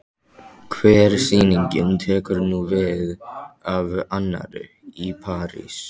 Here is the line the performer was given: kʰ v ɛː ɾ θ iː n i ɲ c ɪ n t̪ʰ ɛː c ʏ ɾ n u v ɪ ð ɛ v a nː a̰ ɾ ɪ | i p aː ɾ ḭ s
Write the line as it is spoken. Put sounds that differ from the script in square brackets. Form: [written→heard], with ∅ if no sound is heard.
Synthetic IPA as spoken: kʰ v ɛː ɾ [θ→s] iː n i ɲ c ɪ n t̪ʰ ɛː [c→k] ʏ ɾ n u v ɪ ð [ɛ→a] v a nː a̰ ɾ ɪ | i [p→pʰ] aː ɾ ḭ s